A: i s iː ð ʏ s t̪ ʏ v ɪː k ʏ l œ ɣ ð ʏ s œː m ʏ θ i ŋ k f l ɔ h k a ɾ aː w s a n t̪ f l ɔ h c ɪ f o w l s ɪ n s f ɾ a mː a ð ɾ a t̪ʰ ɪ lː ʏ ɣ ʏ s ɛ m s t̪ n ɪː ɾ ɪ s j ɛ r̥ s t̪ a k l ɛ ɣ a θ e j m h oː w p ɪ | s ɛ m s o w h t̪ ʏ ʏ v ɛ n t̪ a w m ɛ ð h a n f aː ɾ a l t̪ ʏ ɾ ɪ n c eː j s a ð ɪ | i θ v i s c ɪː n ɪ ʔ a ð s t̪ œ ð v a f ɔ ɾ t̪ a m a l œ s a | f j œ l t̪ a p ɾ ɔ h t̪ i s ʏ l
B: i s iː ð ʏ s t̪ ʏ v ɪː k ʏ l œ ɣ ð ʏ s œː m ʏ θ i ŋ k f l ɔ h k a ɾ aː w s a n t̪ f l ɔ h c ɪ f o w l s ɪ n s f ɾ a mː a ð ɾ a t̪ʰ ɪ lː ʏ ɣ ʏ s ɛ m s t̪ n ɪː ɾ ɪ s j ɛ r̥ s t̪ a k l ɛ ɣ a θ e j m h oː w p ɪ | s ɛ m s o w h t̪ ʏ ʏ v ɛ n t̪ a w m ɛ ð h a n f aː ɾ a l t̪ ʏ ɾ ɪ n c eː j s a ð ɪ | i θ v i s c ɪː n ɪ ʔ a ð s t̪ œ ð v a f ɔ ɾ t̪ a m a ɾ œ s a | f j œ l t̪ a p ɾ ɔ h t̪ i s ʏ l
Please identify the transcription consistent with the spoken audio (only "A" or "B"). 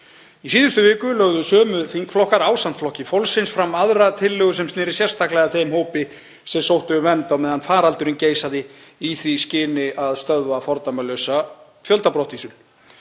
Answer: A